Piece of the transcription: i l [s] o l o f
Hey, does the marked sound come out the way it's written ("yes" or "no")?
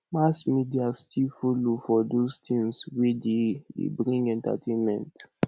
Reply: no